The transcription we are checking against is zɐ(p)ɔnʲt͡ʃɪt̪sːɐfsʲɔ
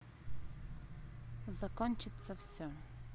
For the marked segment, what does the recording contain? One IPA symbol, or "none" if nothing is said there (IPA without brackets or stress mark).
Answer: k